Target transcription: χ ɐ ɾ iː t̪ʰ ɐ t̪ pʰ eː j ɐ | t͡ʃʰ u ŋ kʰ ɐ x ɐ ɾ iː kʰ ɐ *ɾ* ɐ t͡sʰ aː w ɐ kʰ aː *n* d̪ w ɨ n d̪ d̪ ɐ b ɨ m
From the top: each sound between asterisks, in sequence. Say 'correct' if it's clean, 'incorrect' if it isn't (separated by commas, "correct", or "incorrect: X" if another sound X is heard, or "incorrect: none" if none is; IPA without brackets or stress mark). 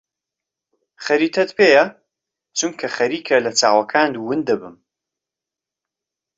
incorrect: l, correct